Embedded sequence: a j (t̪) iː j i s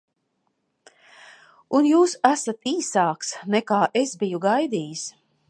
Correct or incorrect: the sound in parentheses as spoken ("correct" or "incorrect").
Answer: incorrect